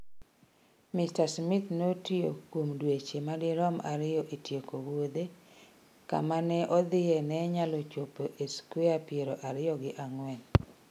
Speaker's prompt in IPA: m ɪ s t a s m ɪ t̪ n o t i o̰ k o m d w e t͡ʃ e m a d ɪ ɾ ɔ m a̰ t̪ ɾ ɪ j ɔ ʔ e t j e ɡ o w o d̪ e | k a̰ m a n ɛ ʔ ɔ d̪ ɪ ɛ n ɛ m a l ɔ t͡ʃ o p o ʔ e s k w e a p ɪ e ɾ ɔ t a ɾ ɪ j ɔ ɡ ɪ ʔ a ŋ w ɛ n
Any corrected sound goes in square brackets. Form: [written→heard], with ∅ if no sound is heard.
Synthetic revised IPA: m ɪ s t a s m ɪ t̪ n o t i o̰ k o m d w e t͡ʃ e m a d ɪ ɾ ɔ m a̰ [t̪→∅] ɾ ɪ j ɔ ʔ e t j e [ɡ→k] o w o d̪ e | k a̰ m a n ɛ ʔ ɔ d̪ ɪ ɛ n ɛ [m→ɲ] a l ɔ t͡ʃ o p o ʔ e s k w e a p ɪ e ɾ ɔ [t→ʔ] a ɾ ɪ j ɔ ɡ ɪ ʔ a ŋ w ɛ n